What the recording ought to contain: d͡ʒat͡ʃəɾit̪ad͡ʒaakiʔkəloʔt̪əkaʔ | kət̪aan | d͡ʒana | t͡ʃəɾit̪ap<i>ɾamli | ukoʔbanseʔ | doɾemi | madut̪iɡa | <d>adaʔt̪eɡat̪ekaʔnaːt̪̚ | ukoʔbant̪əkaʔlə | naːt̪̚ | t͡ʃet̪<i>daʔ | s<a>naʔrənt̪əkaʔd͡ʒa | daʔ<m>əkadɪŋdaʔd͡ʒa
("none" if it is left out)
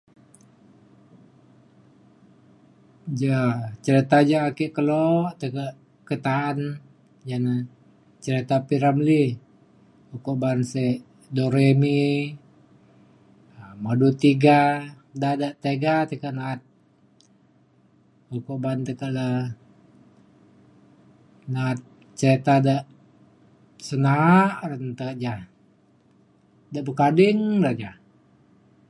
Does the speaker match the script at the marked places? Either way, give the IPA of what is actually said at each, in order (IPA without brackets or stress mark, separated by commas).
i, d, a, ə, b